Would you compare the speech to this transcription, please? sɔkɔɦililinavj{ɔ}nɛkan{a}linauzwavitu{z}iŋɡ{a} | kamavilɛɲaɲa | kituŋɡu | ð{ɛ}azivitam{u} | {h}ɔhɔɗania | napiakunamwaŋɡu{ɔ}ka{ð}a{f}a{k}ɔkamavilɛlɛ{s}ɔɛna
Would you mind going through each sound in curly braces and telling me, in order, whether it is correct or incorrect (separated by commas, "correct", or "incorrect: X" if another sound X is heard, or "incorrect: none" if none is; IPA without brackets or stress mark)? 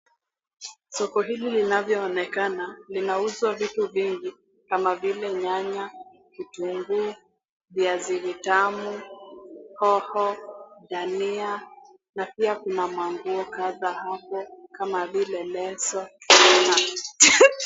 incorrect: ɔː, correct, incorrect: v, incorrect: i, incorrect: i, correct, correct, correct, correct, incorrect: h, incorrect: p, correct